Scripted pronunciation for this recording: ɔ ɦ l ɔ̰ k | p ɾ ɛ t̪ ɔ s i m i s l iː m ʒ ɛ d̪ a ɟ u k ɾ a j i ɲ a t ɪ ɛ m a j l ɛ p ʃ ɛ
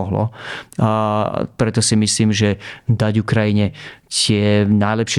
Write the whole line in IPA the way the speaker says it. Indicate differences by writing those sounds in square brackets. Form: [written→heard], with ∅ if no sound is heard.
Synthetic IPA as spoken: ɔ ɦ l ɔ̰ [k→∅] | p ɾ ɛ t̪ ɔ s i m i s l iː m ʒ ɛ d̪ a ɟ u k ɾ a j i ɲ [a→ɛ] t ɪ ɛ [m→n] a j l ɛ p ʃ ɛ